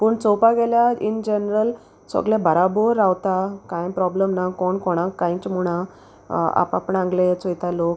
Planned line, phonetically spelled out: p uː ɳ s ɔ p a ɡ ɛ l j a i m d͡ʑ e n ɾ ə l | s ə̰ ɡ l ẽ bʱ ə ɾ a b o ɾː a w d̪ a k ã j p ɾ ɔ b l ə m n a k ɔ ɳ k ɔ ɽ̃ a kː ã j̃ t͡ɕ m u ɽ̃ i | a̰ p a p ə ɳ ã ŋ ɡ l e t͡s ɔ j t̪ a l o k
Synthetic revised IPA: p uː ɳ t͡s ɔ p a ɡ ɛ l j a i n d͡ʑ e n ɾ ə l | s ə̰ ɡ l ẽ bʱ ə ɾ a b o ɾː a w t̪ a k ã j p ɾ ɔ b l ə m n a k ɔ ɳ k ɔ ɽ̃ a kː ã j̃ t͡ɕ m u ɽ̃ a | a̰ p a p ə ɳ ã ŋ ɡ l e t͡s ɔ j t̪ a l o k

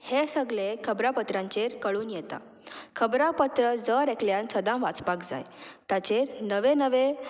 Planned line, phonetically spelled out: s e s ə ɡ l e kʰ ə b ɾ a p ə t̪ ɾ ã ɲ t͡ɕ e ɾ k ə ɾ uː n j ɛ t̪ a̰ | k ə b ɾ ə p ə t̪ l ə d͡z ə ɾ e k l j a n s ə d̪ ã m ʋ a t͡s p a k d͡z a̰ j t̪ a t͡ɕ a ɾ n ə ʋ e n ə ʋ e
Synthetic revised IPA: h e s ə ɡ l e kʰ ə b ɾ a p ə t̪ ɾ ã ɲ t͡ɕ e ɾ k ə ɭ uː n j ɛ t̪ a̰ | kʰ ə b ɾ a p ə t̪ ɾ ə d͡z ə ɾ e k l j a n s ə d̪ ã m ʋ a t͡s p a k d͡z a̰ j t̪ a t͡ɕ e ɾ n ə ʋ e n ə ʋ e

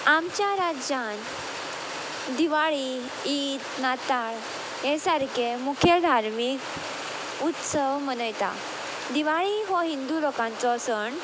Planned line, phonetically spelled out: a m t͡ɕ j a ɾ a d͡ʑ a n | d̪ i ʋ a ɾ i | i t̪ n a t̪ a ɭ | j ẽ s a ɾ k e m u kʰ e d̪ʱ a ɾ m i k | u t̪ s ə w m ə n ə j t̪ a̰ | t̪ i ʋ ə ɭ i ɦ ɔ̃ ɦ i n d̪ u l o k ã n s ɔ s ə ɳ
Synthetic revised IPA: a m t͡ɕ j a ɾ a d͡ʑ a n | d̪ i ʋ a ɭ i | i t̪ n a t̪ a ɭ | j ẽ s a ɾ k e m u kʰ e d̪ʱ a ɾ m i k | u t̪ s ə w m ə n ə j t̪ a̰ | d̪ i ʋ a ɭ i ɦ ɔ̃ ɦ i n d̪ u l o k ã n t͡s ɔ s ə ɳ

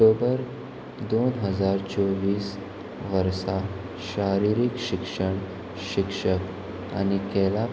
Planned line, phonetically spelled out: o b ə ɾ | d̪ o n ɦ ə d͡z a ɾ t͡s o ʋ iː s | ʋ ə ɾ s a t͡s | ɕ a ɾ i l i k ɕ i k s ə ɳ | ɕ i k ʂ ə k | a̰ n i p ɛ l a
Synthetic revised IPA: o b ə ɾ | d̪ o n ɦ ə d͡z a ɾ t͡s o ʋ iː s | ʋ ə ɾ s a | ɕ a ɾ i ɾ i k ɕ i k ʂ ə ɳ | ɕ i k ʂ ə k | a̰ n i k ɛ l a

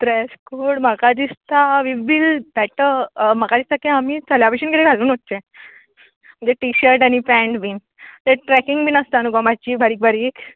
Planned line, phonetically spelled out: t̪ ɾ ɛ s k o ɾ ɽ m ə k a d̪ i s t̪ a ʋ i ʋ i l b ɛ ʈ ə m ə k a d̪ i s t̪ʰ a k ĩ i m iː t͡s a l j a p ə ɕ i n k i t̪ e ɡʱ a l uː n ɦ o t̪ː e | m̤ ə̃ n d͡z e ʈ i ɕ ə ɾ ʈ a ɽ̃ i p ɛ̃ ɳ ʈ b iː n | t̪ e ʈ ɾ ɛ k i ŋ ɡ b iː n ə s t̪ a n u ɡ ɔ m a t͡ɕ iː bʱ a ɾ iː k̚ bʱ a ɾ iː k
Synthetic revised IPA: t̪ ɾ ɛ s k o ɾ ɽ m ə k a d̪ i s t̪ a ʋ i ʋ i l b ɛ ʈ ə m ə k a d̪ i s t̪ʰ a k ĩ a m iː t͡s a l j a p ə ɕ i n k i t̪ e ɡʱ a l uː n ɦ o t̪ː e | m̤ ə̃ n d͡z e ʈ i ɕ ə ɾ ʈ a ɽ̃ i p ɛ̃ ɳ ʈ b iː n | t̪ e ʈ ɾ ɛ k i ŋ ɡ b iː n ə s t̪ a n u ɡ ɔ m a t͡ɕ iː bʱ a ɾ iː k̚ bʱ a ɾ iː k

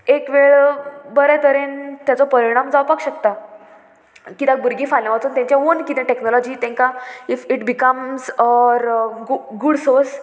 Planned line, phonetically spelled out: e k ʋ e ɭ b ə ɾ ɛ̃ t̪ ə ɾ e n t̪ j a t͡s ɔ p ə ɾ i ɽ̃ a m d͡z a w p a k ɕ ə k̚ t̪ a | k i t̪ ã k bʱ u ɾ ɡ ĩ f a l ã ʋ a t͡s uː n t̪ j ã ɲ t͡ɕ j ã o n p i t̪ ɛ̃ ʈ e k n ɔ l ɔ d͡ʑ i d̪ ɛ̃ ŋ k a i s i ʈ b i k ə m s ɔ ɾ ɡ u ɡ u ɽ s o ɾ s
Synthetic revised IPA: e k ʋ e ɭ b ə ɾ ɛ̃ t̪ ə ɾ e n t̪ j a t͡s ɔ p ə ɾ i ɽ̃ a m d͡z a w p a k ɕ ə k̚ t̪ a | k i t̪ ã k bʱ u ɾ ɡ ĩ f a l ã ʋ a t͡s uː n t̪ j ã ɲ t͡ɕ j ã o n k i t̪ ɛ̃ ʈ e k n ɔ l ɔ d͡ʑ i t̪ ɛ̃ ŋ k a i f i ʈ b i k ə m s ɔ ɾ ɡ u ɡ u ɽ s o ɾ s

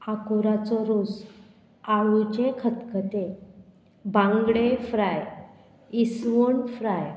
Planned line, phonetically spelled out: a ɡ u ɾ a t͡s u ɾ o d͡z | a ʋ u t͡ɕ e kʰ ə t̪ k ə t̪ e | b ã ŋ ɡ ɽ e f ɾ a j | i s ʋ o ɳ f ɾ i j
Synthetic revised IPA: a k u ɾ a t͡s ɔ ɾ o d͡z | a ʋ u t͡ɕ e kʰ ə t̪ k ə t̪ e | b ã ŋ ɡ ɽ e f ɾ a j | i s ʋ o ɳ f ɾ a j

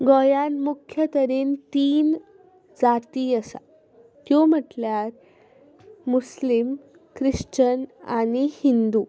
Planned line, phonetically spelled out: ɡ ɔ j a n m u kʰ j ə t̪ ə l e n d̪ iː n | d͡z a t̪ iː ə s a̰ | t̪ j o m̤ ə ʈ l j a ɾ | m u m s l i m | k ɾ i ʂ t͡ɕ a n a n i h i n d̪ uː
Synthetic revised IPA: ɡ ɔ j a n m u kʰ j ə t̪ ə ɾ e n t̪ iː n | d͡z a t̪ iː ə s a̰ | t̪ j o m̤ ə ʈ l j a ɾ | m u s l i m | k ɾ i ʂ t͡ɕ ə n a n i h i n d̪ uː

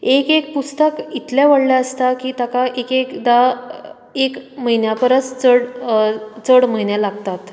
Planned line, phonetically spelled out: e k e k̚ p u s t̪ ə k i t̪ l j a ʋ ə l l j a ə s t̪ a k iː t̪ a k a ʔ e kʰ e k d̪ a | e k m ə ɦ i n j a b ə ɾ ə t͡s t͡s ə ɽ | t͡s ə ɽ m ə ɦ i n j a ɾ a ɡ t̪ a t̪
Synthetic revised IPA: e k e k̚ p u s t̪ ə k i t̪ l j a ʋ ə ɽ l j a ə s t̪ a k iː t̪ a k a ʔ e k e k d̪ a | e k m ə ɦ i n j a p ə ɾ ə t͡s t͡s ə ɽ | t͡s ə ɽ m ə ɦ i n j a l a ɡ t̪ a t̪

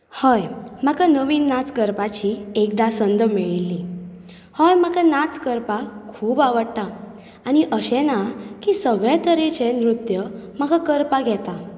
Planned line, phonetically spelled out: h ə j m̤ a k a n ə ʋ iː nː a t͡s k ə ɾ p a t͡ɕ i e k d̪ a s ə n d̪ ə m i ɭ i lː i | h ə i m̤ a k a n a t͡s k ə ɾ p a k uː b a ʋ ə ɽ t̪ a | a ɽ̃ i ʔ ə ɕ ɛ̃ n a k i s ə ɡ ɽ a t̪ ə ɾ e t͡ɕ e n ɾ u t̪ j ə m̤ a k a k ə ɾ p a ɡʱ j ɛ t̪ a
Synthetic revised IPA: h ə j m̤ a k a n ə ʋ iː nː a t͡s k ə ɾ p a t͡ɕ i e k d̪ a s ə n d̪ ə m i ɭ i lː i | h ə j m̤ a k a n a t͡s k ə ɾ p a kʰ uː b a ʋ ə ɽ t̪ a | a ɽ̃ i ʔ ə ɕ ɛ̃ n a k i s ə ɡ ɭ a t̪ ə ɾ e t͡ɕ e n ɾ u t̪ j ə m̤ a k a k ə ɾ p a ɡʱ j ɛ t̪ a

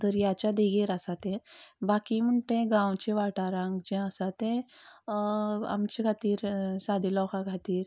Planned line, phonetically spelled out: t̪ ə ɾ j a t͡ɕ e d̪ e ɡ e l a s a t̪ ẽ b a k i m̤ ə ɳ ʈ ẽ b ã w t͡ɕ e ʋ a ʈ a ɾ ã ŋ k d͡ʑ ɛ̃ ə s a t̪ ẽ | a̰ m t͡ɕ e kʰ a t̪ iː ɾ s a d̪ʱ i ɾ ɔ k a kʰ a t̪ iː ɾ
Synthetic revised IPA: t̪ ə ɾ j a t͡ɕ a d̪ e ɡ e ɾ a s a t̪ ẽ b a k i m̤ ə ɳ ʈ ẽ ɡ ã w t͡ɕ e ʋ a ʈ a ɾ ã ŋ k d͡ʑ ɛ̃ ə s a t̪ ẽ | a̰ m t͡ɕ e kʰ a t̪ iː ɾ s a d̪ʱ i l ɔ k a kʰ a t̪ iː ɾ

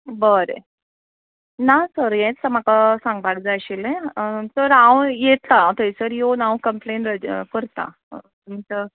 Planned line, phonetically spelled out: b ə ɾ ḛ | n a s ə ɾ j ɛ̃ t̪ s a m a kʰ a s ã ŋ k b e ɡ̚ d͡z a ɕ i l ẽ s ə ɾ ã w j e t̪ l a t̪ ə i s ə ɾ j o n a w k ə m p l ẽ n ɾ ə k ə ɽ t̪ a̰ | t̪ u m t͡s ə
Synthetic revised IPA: b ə ɾ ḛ | n a s ə ɾ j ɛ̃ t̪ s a m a k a s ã ŋ ɡ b a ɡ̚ d͡z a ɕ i l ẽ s ə ɾ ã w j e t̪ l a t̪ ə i s ə ɾ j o n a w k ə m p l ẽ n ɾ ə k ə ɾ t̪ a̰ | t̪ u m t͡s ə

